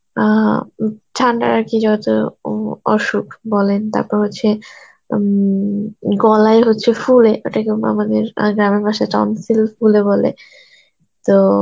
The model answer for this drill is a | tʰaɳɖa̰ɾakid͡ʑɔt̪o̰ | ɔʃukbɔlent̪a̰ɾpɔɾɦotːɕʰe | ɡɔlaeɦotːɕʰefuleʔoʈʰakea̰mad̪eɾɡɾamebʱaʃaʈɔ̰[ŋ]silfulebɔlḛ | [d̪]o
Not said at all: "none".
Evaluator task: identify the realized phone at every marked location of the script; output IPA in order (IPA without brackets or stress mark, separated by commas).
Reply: n, t̪